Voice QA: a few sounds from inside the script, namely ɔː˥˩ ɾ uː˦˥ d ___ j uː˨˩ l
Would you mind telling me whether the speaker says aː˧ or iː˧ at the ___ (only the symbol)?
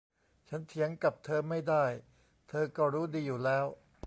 iː˧